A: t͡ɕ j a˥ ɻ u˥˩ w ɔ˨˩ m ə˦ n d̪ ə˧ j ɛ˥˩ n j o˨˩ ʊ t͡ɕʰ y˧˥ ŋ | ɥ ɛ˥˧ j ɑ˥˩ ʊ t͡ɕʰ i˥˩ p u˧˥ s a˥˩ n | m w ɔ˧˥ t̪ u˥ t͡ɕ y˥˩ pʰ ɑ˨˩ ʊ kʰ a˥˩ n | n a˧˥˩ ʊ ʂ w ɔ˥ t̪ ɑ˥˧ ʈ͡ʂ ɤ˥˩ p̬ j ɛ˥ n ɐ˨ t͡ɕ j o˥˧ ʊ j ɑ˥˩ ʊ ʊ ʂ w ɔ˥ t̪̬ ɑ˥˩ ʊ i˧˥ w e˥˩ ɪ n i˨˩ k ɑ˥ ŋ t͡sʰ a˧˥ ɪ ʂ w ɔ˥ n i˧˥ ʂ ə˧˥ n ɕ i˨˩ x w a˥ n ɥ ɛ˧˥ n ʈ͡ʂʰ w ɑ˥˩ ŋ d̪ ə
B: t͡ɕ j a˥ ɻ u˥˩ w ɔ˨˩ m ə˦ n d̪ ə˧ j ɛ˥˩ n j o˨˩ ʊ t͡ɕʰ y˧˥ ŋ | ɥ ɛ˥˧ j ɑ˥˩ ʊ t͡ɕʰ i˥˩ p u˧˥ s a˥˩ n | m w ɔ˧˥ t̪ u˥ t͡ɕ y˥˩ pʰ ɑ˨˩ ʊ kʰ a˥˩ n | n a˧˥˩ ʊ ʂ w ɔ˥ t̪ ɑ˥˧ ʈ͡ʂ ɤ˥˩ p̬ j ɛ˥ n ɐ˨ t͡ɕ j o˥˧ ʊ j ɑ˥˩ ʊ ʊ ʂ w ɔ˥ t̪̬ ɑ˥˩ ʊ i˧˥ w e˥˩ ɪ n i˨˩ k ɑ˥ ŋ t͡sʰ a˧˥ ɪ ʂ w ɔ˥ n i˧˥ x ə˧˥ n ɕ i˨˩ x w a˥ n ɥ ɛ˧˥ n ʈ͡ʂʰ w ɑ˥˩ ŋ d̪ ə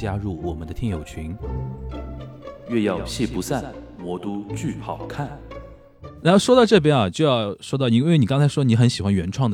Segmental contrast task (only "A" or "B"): B